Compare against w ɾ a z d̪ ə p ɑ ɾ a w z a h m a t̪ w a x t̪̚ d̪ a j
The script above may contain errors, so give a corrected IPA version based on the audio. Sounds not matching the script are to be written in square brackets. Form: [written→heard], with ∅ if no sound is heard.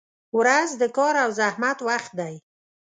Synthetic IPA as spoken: w ɾ a z d̪ ə [p→k] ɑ ɾ a w z a h m a t̪ w a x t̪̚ d̪ a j